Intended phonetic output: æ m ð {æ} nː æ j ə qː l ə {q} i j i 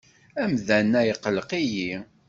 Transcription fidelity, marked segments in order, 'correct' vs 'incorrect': correct, correct

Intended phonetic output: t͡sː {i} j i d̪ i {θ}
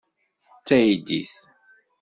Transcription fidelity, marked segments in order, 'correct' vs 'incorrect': incorrect: æ, correct

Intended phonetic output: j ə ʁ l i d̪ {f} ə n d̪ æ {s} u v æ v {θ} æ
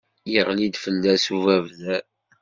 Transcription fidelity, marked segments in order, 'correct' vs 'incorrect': correct, correct, incorrect: ð

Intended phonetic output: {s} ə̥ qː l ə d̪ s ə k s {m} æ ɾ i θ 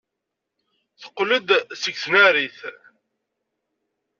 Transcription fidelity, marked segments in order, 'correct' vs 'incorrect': incorrect: θ, incorrect: n

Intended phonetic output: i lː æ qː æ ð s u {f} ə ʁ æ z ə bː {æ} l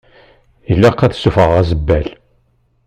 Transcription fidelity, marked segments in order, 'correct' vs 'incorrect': correct, correct

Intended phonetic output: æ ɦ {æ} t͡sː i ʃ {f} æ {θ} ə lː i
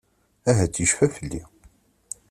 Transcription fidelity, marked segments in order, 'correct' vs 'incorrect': correct, correct, incorrect: f

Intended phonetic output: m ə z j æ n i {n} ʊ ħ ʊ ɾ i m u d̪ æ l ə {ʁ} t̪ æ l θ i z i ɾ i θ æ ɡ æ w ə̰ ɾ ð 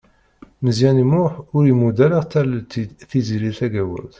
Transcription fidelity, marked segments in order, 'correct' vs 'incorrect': incorrect: m, correct

